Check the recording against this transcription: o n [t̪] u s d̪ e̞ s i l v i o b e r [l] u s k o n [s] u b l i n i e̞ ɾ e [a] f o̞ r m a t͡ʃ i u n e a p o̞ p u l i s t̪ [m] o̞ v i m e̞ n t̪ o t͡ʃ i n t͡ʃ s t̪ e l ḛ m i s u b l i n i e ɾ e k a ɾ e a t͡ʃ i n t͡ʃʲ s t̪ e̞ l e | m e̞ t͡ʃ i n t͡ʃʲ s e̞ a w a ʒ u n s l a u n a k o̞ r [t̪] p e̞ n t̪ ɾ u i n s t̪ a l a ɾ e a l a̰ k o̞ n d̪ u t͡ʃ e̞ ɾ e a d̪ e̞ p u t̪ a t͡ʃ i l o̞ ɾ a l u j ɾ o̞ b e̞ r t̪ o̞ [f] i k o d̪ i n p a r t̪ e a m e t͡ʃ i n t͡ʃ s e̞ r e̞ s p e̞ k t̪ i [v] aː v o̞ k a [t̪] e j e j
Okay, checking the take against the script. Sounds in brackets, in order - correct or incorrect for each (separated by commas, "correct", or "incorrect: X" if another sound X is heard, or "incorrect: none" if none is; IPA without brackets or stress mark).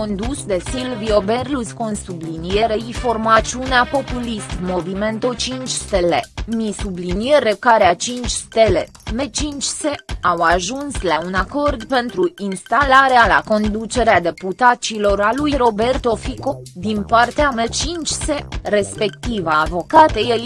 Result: incorrect: d̪, correct, correct, incorrect: i, correct, incorrect: d̪, correct, correct, correct